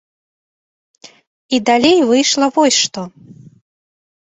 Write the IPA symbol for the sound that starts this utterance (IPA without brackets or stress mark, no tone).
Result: i